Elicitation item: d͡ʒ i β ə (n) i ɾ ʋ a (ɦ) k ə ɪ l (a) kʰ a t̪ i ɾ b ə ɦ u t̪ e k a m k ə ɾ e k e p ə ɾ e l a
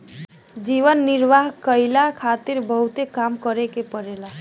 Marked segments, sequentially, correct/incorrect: incorrect, correct, correct

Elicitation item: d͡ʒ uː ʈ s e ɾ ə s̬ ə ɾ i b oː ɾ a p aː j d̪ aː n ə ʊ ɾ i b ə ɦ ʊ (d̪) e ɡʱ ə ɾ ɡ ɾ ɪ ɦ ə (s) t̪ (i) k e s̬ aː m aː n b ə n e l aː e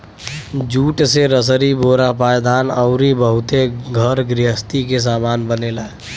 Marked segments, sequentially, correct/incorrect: incorrect, correct, correct

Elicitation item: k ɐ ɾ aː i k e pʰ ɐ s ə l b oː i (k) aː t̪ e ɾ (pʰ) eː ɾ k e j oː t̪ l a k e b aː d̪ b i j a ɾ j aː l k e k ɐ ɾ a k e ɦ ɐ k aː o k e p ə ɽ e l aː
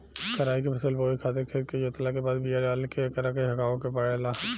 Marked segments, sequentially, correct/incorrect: incorrect, incorrect

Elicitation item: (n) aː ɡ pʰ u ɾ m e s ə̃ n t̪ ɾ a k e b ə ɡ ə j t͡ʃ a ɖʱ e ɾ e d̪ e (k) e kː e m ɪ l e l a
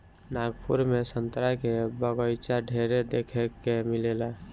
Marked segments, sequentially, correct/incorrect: correct, incorrect

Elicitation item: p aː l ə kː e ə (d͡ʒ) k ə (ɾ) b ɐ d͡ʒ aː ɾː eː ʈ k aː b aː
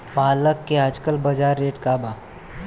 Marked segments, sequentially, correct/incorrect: correct, incorrect

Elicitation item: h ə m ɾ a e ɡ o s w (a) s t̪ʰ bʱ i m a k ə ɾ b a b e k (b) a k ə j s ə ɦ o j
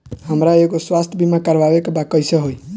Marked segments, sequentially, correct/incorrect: correct, correct

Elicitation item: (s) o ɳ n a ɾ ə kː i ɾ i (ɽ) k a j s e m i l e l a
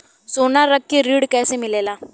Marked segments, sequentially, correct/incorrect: correct, correct

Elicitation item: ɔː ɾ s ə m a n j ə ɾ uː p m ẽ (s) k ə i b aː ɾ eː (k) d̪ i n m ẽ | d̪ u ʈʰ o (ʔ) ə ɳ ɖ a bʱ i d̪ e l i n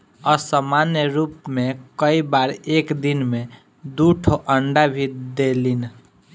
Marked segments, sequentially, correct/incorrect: incorrect, correct, correct

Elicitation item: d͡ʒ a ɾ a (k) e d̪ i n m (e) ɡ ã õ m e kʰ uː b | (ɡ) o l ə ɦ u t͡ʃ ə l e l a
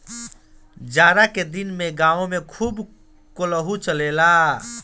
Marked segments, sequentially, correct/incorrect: correct, correct, incorrect

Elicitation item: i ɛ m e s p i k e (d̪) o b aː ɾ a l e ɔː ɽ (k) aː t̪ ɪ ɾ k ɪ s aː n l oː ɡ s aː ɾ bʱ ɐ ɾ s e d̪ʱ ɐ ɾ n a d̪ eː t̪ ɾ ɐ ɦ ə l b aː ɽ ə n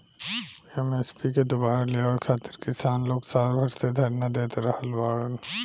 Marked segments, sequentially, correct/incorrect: correct, incorrect

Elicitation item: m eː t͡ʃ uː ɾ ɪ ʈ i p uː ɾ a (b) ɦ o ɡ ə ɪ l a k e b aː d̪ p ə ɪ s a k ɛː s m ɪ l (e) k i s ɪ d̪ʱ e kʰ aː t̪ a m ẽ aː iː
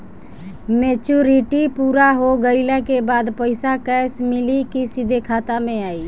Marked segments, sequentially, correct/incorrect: incorrect, incorrect

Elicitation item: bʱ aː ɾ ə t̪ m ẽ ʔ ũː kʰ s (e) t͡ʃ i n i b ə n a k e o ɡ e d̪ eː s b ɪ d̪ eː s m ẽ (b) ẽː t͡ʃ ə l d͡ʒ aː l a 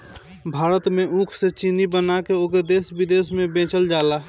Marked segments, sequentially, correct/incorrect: correct, correct

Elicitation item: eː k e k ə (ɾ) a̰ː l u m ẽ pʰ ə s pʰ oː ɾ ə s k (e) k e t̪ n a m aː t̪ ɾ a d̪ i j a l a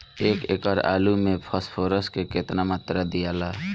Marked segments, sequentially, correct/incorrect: correct, correct

